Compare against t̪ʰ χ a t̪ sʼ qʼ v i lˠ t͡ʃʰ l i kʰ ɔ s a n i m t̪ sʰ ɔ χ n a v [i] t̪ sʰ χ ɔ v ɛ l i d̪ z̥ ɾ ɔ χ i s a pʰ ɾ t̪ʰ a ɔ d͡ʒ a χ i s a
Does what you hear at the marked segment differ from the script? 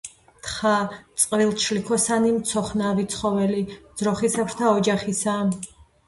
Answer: no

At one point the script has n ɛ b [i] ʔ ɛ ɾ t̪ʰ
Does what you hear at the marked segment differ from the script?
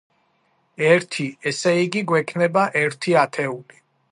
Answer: yes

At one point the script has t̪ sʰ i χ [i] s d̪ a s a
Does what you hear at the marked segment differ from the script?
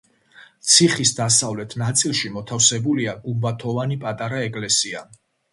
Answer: no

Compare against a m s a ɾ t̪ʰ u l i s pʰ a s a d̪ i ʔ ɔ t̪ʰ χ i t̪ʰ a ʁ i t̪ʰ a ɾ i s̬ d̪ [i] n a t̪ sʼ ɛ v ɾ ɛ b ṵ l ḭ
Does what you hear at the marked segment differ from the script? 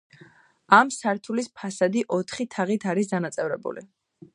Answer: yes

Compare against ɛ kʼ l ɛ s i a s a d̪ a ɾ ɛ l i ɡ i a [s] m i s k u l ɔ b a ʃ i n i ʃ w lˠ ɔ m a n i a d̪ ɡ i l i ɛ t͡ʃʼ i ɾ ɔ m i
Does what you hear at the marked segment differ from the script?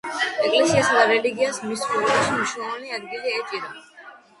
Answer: no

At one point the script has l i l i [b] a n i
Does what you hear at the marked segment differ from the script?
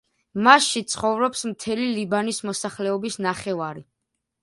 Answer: no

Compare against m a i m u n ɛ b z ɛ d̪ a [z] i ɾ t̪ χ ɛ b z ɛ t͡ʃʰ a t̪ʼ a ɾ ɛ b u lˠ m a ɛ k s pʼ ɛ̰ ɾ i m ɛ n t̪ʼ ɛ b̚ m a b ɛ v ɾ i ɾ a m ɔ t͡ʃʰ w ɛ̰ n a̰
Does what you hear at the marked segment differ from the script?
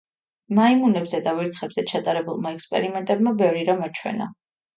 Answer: yes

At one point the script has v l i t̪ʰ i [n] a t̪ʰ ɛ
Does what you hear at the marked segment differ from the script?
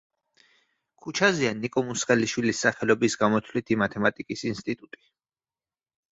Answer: yes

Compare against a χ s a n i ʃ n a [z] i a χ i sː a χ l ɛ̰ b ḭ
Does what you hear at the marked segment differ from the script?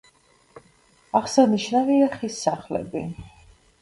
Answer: yes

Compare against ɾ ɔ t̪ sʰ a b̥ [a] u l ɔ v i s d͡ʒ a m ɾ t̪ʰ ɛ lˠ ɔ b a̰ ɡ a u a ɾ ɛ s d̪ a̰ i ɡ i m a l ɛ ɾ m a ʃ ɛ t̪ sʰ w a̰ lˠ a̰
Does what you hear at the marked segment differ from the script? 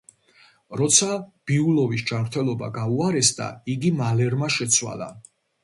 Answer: yes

